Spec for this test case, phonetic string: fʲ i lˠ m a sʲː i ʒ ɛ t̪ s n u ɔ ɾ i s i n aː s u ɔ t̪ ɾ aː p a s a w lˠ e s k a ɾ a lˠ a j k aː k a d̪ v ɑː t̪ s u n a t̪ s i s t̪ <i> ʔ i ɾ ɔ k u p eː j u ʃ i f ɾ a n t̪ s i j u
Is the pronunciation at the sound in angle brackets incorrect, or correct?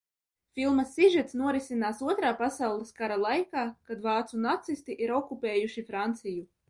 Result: correct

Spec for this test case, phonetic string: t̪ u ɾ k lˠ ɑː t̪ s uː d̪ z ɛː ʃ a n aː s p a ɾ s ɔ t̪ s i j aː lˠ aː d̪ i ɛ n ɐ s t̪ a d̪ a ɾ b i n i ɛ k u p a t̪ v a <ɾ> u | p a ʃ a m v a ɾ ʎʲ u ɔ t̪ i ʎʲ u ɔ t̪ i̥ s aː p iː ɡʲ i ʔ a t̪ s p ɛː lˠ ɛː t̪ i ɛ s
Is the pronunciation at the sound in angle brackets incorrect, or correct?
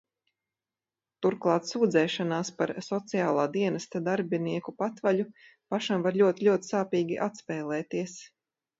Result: incorrect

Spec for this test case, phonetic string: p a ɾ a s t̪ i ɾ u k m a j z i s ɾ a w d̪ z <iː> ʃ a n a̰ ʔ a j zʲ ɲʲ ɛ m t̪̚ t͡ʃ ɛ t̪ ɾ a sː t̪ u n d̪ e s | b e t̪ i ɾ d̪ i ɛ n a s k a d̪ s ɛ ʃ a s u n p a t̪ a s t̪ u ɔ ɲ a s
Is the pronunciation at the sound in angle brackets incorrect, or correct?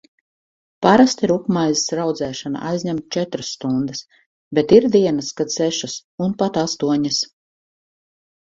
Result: incorrect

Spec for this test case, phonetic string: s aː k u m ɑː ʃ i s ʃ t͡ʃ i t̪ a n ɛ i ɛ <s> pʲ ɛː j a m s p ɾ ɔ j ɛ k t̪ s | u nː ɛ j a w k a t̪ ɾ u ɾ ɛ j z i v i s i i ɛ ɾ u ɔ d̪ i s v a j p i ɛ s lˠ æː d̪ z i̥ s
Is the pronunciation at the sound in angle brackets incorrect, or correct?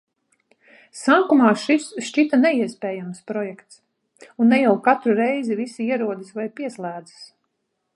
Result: correct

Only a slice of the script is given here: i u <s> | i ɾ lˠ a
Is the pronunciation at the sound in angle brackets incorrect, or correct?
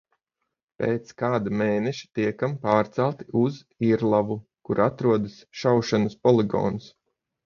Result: incorrect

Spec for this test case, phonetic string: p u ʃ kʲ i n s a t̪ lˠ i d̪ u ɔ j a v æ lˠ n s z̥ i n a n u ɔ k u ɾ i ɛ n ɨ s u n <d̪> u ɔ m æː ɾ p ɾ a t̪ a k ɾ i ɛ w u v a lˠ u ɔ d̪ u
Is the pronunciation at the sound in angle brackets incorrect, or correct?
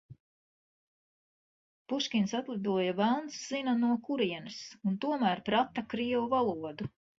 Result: incorrect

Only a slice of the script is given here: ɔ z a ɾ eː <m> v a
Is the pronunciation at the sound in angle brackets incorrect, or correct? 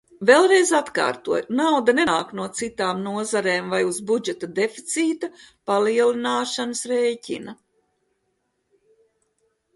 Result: correct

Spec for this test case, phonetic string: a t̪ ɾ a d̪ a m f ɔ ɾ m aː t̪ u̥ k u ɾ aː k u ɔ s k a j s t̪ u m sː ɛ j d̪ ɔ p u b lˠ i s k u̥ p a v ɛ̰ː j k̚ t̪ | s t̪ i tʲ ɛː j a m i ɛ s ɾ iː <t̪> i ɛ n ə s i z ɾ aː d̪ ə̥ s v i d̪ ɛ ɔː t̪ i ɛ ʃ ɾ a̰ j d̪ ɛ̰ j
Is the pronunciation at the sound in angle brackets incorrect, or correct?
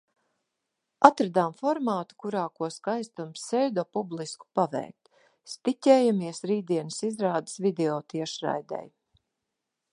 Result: incorrect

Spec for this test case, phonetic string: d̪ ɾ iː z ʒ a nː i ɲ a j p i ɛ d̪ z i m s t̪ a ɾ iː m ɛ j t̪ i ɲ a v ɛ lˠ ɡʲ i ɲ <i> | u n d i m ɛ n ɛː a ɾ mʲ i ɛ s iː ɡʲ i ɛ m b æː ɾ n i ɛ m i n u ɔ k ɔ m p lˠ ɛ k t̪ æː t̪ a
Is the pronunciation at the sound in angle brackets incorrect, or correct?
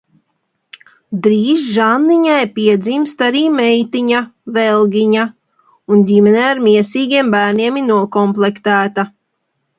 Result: incorrect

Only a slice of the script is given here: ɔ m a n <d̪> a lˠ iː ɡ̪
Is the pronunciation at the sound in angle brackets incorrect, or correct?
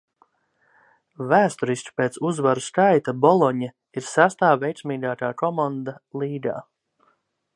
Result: correct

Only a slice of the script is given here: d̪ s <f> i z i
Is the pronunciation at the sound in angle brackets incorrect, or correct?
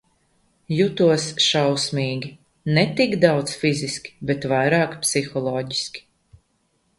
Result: correct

